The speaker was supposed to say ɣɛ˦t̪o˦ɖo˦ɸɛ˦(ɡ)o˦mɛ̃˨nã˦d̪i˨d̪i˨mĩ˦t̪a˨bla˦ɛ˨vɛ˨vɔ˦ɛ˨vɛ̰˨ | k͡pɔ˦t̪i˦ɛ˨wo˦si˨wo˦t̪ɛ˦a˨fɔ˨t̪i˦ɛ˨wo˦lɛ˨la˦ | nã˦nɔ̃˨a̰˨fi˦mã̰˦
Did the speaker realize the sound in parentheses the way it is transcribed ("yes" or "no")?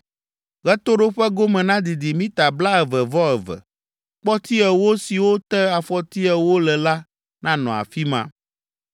yes